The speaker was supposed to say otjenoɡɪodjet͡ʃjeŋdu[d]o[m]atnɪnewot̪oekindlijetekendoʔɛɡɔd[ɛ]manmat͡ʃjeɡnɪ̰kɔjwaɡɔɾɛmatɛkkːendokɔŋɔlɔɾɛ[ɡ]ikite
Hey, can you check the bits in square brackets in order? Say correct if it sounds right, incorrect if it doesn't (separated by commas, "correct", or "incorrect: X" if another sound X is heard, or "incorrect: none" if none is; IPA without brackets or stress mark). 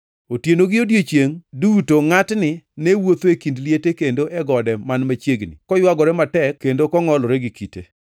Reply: incorrect: t, incorrect: ŋ, correct, correct